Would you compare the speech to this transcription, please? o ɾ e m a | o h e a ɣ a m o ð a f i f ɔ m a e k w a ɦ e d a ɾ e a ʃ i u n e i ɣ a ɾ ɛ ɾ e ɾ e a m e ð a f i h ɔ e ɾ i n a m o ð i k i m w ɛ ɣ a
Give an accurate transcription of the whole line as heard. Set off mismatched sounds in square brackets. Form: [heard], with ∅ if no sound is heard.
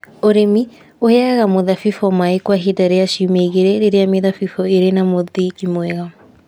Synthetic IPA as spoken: o ɾ e m [i] | o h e a ɣ a m o ð a f i f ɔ m a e k w a ɦ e d a ɾ e a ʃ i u [m] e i ɣ [e] ɾ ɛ ɾ e ɾ e a m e ð a f i [f] ɔ e ɾ [e] n a m o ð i k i m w ɛ ɣ a